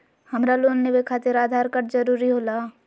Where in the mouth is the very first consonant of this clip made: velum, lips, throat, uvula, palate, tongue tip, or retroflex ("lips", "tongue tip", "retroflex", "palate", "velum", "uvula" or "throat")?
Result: throat